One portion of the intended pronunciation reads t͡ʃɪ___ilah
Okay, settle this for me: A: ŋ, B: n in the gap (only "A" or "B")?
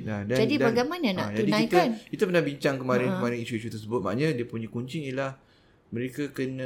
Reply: A